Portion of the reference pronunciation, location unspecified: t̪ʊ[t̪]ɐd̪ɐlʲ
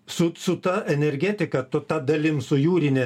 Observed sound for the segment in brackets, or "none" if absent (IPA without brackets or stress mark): t̪